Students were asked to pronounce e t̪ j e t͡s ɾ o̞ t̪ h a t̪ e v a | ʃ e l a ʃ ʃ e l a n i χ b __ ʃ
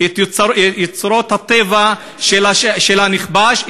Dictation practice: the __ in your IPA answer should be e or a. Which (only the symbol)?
a